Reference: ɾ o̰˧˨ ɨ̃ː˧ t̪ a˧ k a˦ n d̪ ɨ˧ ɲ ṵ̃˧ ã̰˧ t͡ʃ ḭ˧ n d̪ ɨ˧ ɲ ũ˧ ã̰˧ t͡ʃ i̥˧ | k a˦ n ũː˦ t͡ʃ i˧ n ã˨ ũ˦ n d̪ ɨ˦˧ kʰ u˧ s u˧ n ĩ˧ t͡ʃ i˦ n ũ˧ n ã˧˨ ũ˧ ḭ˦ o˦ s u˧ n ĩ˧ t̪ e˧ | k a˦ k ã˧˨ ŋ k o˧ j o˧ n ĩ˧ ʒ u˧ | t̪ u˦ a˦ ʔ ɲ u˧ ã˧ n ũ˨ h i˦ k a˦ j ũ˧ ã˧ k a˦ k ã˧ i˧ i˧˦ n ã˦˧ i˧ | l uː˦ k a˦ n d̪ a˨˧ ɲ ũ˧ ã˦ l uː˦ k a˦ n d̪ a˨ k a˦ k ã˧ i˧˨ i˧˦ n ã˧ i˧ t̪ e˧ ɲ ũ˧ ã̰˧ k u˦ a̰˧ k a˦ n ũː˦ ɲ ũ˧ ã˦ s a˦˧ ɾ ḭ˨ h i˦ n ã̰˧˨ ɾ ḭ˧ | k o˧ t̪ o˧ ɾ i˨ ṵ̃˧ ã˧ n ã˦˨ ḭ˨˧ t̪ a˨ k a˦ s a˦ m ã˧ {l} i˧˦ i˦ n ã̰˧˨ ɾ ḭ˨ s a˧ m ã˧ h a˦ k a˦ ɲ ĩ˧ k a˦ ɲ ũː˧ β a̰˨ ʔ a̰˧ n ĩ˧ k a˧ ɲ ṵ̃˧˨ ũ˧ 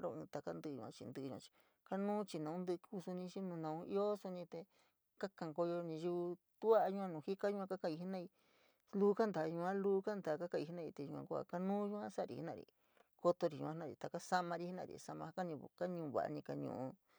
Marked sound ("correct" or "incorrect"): incorrect